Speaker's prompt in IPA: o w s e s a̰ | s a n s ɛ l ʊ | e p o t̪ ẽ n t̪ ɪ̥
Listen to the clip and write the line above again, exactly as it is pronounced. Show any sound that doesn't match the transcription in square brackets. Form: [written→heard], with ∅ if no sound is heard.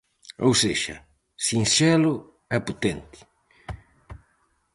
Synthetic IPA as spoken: o w s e [s→ʃ] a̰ | s [a→i] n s ɛ l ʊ | [e→ɛ] p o t̪ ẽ n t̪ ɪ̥